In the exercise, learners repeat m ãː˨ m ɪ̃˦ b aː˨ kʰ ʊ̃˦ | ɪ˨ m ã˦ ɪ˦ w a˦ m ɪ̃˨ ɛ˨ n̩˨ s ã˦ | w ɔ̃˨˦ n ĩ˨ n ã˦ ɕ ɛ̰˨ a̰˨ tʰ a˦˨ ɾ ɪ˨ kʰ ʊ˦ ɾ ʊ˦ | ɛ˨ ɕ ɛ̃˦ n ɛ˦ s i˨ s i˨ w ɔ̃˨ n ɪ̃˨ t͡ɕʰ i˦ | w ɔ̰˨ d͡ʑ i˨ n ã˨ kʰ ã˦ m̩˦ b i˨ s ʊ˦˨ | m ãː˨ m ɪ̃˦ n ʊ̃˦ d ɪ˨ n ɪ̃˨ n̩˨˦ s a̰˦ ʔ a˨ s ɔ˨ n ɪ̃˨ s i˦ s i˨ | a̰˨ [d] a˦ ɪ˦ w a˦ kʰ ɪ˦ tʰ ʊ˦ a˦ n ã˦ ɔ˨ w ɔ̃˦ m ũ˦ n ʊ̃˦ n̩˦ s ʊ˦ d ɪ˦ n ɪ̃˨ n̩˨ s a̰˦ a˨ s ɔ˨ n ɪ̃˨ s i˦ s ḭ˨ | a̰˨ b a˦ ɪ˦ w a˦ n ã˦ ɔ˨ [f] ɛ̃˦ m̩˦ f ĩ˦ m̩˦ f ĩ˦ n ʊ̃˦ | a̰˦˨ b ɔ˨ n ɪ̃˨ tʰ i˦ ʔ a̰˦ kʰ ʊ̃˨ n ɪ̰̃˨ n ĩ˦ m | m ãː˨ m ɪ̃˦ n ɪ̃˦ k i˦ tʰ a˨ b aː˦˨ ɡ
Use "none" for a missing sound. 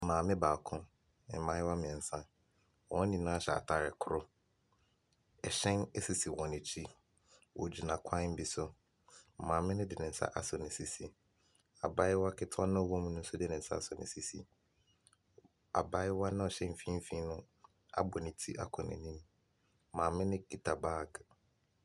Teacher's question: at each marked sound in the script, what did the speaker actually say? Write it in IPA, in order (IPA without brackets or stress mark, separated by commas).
b, ɕ